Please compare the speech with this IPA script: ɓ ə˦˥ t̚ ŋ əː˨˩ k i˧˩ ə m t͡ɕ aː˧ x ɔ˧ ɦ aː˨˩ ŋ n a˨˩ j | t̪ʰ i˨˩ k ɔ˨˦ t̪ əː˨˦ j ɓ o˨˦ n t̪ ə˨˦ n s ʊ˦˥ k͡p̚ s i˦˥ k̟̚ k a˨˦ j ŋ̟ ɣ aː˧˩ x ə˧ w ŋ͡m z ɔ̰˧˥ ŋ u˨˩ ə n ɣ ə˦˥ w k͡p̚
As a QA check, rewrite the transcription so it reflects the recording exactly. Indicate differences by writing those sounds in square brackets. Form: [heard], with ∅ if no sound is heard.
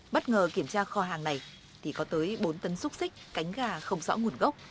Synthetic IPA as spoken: ɓ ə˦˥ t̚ ŋ əː˨˩ k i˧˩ ə m t͡ɕ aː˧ x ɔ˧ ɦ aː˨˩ ŋ n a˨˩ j | t̪ʰ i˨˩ k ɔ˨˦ t̪ əː˨˦ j ɓ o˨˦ n t̪ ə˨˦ n s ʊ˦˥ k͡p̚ s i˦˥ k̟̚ k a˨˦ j ŋ̟ ɣ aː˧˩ x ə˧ w ŋ͡m z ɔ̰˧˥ ŋ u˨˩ ə n ɣ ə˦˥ w k͡p̚